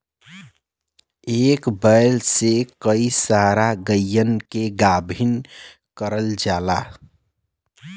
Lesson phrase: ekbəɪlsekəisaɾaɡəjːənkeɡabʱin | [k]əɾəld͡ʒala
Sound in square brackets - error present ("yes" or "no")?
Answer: no